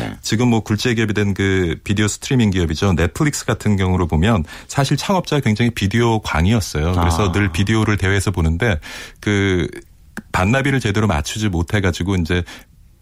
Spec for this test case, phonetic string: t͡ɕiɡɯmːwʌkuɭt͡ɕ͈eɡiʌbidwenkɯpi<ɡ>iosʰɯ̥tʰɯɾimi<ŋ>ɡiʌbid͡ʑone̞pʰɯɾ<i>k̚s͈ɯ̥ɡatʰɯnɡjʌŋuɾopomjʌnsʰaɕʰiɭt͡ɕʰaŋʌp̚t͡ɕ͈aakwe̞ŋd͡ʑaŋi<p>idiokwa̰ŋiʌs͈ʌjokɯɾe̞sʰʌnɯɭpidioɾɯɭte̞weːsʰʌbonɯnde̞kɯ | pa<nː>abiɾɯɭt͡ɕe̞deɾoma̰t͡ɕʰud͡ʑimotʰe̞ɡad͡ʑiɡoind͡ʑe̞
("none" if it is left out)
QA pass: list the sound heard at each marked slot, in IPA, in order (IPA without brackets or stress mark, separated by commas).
d, ŋ, i, p, nː